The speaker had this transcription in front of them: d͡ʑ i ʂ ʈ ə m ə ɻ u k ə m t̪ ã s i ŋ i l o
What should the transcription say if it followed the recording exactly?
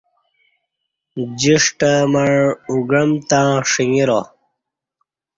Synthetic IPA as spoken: d͡ʑ i ʂ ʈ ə m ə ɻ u ɡ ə m t̪ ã ʂ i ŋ i ɾ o